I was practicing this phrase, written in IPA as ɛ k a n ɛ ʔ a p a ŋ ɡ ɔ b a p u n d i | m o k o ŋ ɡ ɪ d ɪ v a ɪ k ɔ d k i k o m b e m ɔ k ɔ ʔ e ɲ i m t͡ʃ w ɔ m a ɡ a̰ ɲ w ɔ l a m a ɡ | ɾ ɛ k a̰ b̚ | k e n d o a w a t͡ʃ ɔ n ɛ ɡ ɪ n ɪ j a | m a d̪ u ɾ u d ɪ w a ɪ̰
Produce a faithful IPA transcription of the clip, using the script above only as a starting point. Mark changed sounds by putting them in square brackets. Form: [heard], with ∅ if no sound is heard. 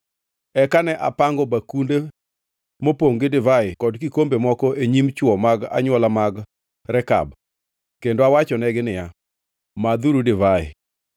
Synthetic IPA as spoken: ɛ k a n ɛ ʔ a p a ŋ ɡ ɔ b a [k] u n d [e] | m o [p] o ŋ ɡ ɪ d ɪ v a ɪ k ɔ d k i k o m b e m ɔ k ɔ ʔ e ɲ i m t͡ʃ w ɔ m a ɡ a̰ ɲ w ɔ l a m a ɡ | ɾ ɛ k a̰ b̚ | k e n d o a w a t͡ʃ ɔ n ɛ ɡ ɪ n ɪ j a | m a d̪ u ɾ u d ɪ [v] a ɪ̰